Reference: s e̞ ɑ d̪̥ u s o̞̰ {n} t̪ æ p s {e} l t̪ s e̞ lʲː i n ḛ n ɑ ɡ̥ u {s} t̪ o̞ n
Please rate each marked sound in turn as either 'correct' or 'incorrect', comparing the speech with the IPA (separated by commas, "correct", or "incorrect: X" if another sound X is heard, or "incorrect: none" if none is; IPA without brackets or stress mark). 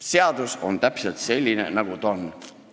correct, correct, incorrect: none